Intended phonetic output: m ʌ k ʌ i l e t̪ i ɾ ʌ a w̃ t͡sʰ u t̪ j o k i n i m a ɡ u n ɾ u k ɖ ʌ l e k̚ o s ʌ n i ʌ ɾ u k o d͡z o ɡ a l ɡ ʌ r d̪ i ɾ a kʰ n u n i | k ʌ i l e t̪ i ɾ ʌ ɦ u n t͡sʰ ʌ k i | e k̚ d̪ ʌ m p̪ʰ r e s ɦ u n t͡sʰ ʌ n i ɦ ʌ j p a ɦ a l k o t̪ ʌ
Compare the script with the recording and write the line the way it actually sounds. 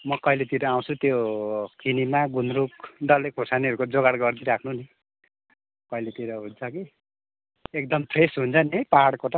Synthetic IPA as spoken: m ʌ k ʌ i l e t̪ i ɾ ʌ a w̃ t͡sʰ u t̪ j o k i n i m a ɡ u n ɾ u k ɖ ʌ l e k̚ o s a n i ʌ ɾ u k o d͡z o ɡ a ɽ ɡ ʌ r d̪ i ɾ a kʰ n u n i | k ʌ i l e t̪ i ɾ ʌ ɦ u n t͡sʰ ʌ k i | e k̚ d̪ ʌ m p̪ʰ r e s ɦ u n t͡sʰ ʌ n i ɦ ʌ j p a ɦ a ɽ k o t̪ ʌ